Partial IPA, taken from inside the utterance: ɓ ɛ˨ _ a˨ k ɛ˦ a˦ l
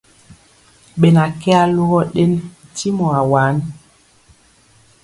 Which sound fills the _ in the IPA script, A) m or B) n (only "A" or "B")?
B